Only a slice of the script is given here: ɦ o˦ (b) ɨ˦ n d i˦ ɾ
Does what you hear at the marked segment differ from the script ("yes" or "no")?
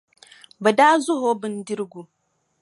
no